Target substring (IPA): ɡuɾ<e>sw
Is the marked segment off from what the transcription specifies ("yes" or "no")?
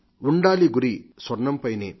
yes